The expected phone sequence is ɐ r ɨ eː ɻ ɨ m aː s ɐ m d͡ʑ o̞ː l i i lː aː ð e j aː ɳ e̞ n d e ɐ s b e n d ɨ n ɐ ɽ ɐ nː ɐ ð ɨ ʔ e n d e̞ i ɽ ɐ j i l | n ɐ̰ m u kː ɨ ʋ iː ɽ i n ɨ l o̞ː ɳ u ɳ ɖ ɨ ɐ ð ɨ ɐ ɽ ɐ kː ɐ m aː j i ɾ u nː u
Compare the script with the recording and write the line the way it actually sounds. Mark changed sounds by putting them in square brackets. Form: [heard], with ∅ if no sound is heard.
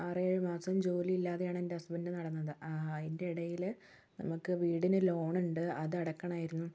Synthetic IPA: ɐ r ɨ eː ɻ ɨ m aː s ɐ m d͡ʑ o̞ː l i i lː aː ð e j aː ɳ e̞ n d e ɐ s b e n d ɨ n ɐ ɽ ɐ nː ɐ ð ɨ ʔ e n d e̞ i ɽ ɐ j i l | n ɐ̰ m u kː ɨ ʋ iː ɽ i n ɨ l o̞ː ɳ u ɳ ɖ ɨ ɐ ð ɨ ɐ ɽ ɐ kː ɐ [ɳ] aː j i ɾ u nː u